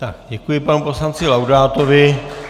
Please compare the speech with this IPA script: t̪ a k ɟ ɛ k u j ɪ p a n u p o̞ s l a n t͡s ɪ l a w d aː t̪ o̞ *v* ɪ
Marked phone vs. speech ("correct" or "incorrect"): correct